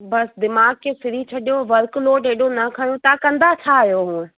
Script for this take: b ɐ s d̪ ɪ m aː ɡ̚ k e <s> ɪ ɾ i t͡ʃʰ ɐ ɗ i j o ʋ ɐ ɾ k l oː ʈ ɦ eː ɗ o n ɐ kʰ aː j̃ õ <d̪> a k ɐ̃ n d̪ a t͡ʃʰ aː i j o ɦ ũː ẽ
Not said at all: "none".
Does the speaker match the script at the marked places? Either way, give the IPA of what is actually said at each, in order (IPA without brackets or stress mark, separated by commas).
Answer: s, t̪